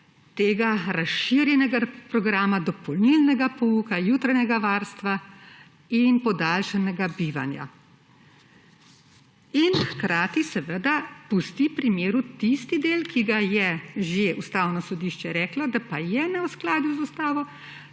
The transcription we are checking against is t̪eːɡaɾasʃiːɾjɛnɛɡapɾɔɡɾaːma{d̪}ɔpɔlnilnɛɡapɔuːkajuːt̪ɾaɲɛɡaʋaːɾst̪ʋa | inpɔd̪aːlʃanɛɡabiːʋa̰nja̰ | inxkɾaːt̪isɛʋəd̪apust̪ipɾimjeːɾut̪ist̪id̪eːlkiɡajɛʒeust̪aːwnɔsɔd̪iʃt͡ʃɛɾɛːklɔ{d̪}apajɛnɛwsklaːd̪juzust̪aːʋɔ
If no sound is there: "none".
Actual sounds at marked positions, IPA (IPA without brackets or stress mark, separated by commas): d̪, d̪